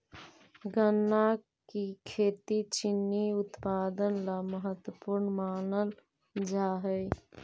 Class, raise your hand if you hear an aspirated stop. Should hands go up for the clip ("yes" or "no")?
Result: yes